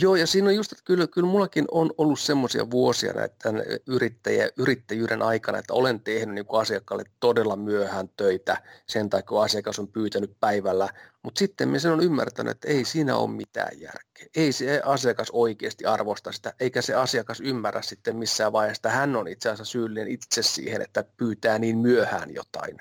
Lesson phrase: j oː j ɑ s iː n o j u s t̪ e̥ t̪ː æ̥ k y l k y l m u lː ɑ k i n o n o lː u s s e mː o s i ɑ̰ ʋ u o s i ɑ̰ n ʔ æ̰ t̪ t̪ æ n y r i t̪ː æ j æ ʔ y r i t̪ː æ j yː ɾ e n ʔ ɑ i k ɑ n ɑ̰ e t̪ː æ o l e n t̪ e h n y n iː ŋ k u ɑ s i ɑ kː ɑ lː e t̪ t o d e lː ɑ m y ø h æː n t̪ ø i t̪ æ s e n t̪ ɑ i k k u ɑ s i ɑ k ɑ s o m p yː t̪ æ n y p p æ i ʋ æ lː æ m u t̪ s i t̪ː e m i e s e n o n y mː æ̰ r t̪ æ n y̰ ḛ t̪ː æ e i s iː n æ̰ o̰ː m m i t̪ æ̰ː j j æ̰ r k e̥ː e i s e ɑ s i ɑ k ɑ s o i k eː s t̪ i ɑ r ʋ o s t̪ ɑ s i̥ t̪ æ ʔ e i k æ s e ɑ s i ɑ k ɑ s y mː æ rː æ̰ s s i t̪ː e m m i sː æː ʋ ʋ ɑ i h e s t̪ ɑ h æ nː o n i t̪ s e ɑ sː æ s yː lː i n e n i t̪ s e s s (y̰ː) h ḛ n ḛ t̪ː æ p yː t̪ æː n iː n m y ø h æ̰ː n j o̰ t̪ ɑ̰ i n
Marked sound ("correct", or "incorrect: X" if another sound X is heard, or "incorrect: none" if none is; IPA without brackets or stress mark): incorrect: ḭː